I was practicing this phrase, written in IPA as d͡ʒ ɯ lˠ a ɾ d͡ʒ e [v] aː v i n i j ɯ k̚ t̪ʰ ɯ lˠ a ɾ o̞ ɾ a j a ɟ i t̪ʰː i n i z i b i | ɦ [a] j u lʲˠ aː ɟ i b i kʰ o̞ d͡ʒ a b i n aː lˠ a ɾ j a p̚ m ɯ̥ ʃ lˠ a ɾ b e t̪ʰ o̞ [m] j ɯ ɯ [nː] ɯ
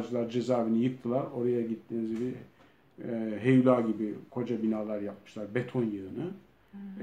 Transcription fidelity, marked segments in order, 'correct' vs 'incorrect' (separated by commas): incorrect, incorrect, incorrect, incorrect